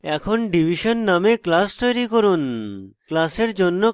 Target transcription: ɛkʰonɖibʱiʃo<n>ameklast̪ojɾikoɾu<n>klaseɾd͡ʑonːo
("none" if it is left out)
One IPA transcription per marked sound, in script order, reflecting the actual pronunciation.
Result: nː, n

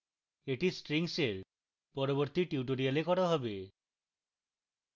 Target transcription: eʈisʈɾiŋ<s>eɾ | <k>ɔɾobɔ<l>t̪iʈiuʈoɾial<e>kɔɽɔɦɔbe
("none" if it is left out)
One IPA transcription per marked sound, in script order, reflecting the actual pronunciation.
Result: s, p, ɾ, e

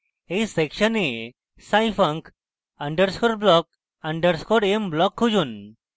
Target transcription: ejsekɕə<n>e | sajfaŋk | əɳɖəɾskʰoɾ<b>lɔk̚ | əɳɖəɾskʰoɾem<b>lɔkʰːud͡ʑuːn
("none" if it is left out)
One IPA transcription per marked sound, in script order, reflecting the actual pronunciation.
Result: n, b, b

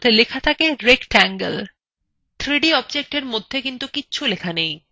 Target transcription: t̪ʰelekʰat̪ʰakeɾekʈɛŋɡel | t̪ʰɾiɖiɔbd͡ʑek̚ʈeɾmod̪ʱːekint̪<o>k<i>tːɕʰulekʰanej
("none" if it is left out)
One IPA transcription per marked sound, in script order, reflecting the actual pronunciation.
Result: u, i

